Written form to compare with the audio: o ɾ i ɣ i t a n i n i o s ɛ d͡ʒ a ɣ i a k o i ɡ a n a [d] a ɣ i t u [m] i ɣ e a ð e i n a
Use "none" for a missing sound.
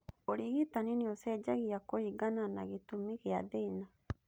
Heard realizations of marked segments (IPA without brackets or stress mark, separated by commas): n, m